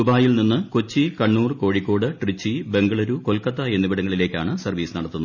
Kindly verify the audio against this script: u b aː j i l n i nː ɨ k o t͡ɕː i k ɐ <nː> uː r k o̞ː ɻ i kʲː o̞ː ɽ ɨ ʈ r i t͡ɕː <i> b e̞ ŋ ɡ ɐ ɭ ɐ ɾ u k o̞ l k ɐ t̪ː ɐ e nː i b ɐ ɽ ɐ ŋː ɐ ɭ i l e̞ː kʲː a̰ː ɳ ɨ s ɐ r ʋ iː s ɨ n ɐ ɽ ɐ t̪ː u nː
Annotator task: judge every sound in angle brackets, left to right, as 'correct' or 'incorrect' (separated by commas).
incorrect, correct